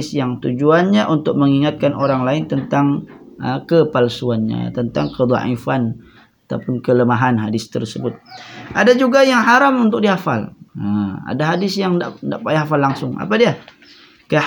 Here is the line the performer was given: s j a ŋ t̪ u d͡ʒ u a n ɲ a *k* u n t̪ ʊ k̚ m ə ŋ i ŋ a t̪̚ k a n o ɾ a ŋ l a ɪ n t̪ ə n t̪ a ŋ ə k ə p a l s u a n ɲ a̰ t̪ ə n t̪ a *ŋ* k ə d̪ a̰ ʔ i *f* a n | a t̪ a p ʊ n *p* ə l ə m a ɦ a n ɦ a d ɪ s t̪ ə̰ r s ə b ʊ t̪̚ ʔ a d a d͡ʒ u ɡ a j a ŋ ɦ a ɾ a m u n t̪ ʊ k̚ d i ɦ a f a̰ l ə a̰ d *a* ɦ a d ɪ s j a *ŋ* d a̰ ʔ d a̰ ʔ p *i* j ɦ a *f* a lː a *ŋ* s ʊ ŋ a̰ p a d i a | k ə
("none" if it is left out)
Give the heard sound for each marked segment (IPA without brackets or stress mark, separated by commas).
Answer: ʔ, ŋ, f, k, a, ŋ, a, f, ŋ